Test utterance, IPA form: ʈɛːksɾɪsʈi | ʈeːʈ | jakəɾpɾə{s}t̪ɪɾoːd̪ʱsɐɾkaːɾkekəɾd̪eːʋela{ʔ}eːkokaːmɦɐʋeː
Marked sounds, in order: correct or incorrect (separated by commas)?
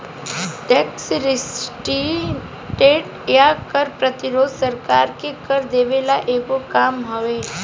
incorrect, correct